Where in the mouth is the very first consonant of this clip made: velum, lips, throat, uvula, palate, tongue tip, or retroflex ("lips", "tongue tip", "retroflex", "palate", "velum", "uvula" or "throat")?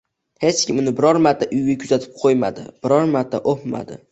throat